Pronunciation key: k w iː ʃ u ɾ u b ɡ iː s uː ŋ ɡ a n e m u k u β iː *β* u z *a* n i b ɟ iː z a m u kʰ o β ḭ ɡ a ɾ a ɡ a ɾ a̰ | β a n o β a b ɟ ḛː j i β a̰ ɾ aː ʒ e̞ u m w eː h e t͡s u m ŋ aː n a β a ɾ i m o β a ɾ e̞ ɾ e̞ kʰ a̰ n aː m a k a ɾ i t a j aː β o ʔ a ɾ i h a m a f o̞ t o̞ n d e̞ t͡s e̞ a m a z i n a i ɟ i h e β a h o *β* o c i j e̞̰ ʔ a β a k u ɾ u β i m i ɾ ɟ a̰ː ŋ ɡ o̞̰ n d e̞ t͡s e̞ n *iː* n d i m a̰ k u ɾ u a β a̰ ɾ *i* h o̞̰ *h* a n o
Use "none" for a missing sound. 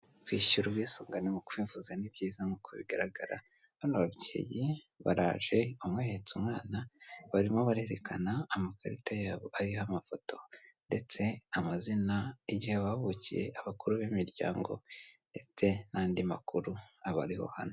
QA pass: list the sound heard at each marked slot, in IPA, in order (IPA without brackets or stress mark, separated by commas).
v, a, β, aː, i, h